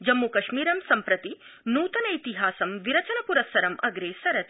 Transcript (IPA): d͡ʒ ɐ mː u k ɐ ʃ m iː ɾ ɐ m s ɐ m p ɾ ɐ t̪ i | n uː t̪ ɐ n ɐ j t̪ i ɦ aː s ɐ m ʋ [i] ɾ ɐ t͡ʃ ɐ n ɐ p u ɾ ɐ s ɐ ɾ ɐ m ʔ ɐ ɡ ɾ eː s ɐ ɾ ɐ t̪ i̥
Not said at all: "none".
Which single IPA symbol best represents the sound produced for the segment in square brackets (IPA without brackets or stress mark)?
i